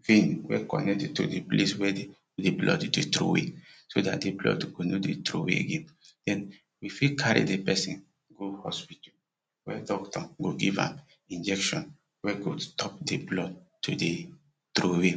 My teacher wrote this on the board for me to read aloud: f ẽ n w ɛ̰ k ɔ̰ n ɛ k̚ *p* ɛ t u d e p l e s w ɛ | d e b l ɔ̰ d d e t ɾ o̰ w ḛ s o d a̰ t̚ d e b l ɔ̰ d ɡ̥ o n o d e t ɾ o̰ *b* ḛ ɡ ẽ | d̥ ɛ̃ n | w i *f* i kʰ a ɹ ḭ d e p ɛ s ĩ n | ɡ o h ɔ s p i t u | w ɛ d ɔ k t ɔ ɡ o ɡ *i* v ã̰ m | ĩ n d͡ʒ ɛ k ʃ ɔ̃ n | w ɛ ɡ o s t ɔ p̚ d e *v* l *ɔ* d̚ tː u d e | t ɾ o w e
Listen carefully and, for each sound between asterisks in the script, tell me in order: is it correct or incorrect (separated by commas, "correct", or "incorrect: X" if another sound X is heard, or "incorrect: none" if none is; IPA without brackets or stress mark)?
incorrect: t, incorrect: w, correct, correct, incorrect: b, correct